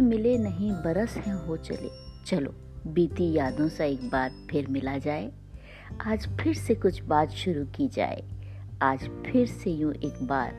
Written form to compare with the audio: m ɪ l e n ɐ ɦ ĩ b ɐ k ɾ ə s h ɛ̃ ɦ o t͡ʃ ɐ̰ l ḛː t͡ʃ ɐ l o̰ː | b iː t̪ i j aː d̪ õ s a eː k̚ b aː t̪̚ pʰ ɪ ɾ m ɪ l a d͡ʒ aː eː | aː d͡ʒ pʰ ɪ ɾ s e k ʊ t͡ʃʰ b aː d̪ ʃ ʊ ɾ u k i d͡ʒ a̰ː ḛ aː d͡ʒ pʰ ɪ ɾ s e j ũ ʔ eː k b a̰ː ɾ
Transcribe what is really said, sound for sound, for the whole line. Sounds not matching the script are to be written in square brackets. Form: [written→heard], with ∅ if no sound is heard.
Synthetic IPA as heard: m ɪ l e n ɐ ɦ ĩ b ɐ [k→∅] ɾ ə s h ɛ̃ ɦ o t͡ʃ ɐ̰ l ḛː t͡ʃ ɐ l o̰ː | b iː t̪ i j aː d̪ õ s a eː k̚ b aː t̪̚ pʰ ɪ ɾ m ɪ l a d͡ʒ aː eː | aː d͡ʒ pʰ ɪ ɾ s e k ʊ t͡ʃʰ b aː [d̪→t̪] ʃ ʊ ɾ u k i d͡ʒ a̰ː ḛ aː d͡ʒ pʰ ɪ ɾ s e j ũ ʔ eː k b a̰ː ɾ